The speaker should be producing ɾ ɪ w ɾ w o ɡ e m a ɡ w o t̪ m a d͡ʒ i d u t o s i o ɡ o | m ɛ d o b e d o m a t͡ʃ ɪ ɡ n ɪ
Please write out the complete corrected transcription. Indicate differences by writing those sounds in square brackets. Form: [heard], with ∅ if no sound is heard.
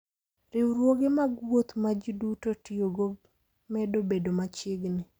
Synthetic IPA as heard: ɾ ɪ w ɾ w o ɡ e m a ɡ w o t̪ m a d͡ʒ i d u t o [t] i o ɡ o | m ɛ d o b e d o m a t͡ʃ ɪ ɡ n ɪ